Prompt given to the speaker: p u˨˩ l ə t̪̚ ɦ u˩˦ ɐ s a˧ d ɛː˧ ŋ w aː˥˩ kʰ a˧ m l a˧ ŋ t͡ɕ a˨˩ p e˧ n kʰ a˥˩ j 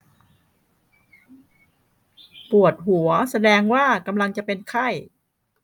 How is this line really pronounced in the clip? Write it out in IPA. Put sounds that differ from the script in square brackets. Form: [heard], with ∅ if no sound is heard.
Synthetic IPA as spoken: p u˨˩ [∅] ə t̪̚ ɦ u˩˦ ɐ s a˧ d ɛː˧ ŋ w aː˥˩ [k] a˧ m l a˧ ŋ t͡ɕ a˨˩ p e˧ n kʰ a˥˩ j